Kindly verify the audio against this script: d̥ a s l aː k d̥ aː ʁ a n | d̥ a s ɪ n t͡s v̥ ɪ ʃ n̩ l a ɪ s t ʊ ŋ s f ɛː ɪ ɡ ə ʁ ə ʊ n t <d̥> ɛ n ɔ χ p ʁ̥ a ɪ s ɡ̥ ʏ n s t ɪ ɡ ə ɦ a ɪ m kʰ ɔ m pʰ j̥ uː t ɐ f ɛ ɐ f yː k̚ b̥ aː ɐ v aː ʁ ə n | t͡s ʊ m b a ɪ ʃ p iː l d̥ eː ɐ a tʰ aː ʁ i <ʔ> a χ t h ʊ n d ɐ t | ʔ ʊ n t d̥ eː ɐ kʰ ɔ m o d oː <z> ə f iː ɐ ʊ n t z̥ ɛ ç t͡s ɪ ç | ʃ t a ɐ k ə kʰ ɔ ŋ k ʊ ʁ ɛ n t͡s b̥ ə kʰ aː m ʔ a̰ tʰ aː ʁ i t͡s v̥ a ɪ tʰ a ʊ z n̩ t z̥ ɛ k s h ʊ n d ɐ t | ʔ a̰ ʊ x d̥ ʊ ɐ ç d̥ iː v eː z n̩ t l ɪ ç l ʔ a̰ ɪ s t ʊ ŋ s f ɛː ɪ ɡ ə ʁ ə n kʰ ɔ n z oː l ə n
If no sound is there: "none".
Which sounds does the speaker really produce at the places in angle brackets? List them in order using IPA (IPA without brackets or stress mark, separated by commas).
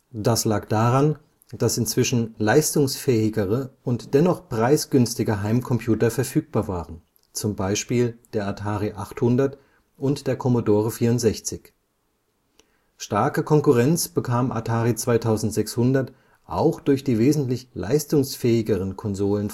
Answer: d̥, ʔ, ʁ